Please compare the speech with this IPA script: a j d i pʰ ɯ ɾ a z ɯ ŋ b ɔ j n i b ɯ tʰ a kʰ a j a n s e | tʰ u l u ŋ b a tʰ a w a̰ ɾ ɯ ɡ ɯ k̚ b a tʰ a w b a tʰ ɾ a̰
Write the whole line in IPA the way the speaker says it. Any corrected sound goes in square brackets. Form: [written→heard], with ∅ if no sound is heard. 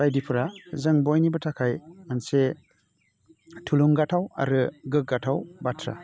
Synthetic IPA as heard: a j d i pʰ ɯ ɾ a z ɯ ŋ b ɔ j n i b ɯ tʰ a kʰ a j a n s e | tʰ u l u ŋ [b→ɡ] a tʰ a w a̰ ɾ ɯ ɡ ɯ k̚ [b→ɡ] a tʰ a w b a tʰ ɾ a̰